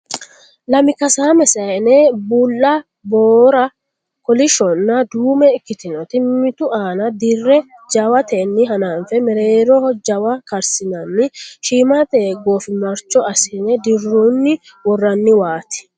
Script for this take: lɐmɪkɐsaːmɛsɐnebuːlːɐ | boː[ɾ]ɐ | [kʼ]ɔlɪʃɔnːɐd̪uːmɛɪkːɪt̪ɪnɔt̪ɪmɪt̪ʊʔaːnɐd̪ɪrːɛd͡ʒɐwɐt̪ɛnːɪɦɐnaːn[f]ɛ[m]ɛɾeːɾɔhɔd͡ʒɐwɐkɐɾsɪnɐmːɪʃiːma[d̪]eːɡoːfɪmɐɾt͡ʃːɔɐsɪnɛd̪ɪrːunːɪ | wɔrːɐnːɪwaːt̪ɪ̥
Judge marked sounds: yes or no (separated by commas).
yes, no, yes, yes, no